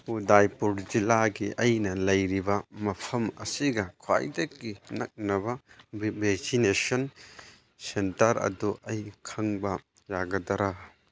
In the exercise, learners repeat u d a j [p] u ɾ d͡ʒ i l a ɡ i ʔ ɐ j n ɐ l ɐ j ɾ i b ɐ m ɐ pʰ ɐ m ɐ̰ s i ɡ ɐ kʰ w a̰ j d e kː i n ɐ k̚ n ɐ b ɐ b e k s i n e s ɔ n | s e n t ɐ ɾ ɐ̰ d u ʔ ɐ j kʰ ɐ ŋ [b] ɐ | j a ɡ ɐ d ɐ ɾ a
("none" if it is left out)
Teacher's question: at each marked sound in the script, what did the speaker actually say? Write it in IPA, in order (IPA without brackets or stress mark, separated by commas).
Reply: p, b